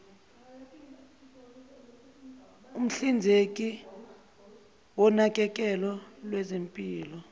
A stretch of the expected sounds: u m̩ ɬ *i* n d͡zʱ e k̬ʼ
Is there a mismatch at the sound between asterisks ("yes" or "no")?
no